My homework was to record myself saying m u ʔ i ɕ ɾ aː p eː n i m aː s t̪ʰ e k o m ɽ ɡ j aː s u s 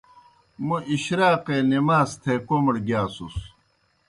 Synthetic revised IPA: m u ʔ i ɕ ɾ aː q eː n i m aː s t̪ʰ e k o m ɽ ɡ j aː s u s